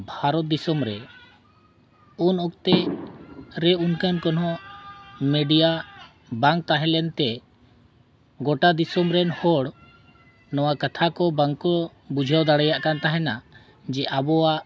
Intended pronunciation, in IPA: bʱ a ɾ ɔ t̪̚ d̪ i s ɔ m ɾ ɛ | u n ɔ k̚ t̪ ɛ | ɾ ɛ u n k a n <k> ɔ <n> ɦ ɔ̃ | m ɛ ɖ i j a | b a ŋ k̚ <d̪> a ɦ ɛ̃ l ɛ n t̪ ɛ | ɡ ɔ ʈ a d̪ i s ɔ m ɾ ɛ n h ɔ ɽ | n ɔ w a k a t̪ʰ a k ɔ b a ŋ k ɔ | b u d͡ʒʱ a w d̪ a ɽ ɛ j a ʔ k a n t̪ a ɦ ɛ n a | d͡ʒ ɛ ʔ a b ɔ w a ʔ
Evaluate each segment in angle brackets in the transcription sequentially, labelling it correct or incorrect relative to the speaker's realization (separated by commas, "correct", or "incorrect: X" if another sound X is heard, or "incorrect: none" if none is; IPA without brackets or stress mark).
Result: correct, correct, incorrect: t̪